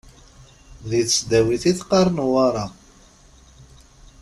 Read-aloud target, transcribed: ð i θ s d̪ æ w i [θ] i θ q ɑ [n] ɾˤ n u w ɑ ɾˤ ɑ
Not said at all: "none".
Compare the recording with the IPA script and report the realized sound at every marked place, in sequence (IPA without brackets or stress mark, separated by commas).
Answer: θ, none